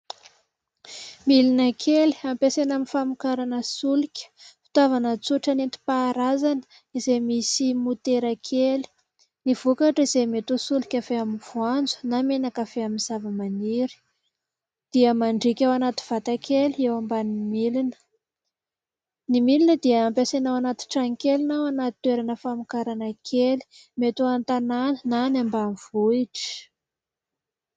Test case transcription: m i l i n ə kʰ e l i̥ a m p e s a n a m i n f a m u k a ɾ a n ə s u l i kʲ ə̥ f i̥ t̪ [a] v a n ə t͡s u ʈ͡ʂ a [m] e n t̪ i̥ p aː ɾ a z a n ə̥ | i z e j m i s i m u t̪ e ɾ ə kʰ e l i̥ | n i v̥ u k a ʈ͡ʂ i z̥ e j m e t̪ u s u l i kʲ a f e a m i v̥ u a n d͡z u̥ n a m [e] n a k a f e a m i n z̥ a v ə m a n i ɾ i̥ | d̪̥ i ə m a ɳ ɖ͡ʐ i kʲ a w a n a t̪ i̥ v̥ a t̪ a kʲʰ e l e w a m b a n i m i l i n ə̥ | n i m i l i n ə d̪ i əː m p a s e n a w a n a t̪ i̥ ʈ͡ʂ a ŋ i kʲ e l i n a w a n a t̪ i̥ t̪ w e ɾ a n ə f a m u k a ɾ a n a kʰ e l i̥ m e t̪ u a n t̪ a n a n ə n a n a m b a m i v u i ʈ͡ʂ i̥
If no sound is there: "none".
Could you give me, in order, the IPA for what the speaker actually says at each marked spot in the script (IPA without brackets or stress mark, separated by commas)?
a, n, e